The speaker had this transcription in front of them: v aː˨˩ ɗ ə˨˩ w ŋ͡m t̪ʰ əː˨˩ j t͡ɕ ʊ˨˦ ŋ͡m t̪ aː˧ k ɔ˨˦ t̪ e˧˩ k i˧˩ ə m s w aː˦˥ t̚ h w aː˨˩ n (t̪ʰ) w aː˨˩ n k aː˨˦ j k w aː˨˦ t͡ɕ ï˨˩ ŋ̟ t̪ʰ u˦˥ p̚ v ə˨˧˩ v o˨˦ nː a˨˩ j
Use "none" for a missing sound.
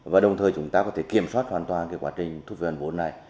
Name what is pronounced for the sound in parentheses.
t̪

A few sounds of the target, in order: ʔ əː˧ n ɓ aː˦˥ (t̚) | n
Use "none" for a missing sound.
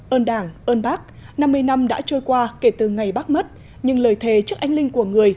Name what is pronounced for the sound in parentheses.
k̚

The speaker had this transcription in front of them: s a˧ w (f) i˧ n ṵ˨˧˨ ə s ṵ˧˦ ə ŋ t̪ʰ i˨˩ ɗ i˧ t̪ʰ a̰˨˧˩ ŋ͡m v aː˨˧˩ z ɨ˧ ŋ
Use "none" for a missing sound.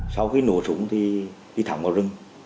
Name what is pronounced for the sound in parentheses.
x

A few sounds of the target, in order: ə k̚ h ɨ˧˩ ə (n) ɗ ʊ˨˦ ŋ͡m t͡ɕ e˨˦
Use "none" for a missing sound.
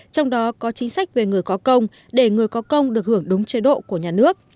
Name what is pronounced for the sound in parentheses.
ŋ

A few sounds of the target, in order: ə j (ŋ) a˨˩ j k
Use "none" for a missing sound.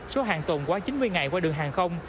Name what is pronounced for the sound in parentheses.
ŋ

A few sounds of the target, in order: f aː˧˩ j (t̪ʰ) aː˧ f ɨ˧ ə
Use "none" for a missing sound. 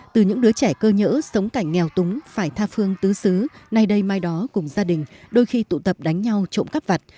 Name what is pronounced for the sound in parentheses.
t̪ʰ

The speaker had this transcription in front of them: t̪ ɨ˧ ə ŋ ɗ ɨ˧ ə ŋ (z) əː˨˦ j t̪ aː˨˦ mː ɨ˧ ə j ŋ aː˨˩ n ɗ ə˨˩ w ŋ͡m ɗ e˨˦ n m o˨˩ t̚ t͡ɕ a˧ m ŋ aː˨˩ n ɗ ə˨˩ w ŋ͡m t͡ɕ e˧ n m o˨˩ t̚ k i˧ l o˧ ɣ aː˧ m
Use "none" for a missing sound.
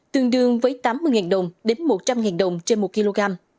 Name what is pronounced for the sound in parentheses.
v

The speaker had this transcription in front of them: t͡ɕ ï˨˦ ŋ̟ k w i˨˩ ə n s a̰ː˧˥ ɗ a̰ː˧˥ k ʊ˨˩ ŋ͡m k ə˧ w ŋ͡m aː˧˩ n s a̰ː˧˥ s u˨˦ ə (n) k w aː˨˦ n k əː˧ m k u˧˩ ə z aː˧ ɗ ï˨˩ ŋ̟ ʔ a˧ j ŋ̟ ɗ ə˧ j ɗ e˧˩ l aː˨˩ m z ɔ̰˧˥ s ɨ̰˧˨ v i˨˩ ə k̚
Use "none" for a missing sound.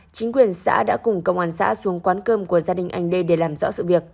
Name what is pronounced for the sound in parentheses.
ŋ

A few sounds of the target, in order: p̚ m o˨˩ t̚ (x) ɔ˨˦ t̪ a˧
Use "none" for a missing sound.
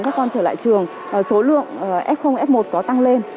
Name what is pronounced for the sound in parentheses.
k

